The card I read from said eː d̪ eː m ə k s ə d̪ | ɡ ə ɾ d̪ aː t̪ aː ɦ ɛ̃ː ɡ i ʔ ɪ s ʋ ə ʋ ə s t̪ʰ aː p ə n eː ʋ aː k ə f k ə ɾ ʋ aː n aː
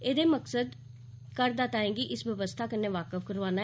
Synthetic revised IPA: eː d̪ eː m ə k s ə d̪ | k ə ɾ d̪ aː t̪ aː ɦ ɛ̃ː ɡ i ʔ ɪ s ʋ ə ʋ ə s t̪ʰ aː k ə n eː ʋ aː k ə f k ə ɾ ʋ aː n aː